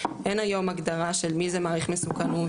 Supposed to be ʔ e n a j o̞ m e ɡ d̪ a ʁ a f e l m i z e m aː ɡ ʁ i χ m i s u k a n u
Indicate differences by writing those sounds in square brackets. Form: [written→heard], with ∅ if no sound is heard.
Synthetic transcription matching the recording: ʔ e n a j o̞ m [e→a] ɡ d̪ a ʁ a [f→ʃ] e l m i z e m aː [ɡ→∅] ʁ i χ m [i→e] s u k a n u